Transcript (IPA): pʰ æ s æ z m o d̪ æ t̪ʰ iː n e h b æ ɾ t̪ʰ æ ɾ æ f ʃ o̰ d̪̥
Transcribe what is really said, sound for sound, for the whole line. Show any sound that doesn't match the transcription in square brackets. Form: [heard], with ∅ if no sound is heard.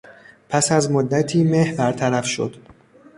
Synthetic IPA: pʰ æ s æ z m o [d̪ː] æ t̪ʰ iː [m] e h b æ ɾ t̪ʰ æ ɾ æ f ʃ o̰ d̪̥